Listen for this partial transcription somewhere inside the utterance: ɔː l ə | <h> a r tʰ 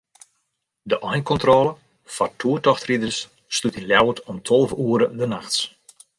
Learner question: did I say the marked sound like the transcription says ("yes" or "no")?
no